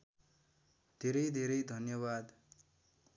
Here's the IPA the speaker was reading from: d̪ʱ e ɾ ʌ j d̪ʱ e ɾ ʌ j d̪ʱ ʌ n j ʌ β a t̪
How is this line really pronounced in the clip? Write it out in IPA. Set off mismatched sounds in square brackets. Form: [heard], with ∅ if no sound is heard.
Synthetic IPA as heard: d̪ʱ e ɾ ʌ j d̪ʱ e ɾ ʌ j d̪ʱ ʌ n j ʌ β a [d̪]